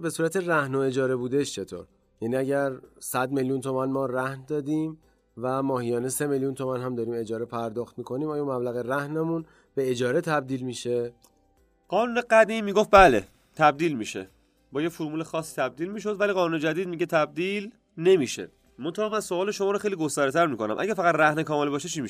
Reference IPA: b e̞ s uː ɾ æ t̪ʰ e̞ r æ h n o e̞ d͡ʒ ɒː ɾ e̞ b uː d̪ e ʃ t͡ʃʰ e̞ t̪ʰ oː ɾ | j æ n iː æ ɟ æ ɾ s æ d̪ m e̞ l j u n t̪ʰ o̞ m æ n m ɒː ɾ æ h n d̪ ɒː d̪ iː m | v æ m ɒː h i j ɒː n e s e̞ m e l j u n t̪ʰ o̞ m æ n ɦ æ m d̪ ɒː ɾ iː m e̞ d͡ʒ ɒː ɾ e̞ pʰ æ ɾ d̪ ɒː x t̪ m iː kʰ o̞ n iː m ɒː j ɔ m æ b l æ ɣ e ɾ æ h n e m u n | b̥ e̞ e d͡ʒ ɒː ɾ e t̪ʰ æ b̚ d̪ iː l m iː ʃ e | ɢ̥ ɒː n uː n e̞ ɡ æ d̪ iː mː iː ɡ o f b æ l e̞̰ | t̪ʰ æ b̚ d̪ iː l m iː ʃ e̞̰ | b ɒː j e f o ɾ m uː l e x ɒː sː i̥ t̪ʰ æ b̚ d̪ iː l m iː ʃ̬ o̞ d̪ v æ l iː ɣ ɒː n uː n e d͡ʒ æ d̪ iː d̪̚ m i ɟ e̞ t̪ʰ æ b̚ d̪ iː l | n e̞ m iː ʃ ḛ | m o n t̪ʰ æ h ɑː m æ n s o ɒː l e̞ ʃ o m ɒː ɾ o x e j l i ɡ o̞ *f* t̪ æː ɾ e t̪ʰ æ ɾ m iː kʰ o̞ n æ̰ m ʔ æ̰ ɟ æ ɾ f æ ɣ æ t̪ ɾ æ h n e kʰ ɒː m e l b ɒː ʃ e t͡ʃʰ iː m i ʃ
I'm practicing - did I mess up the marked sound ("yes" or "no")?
yes